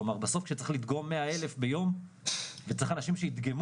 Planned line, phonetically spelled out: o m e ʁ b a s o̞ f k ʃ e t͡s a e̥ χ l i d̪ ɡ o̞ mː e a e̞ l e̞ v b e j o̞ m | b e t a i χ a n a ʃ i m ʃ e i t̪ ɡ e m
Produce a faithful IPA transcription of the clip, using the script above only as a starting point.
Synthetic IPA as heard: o m a ʁ b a s o̞ f k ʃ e t͡s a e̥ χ l i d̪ ɡ o̞ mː e a e̞ l e̞ f b e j o̞ m | v e t͡s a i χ a n a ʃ i m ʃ e i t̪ ɡ e m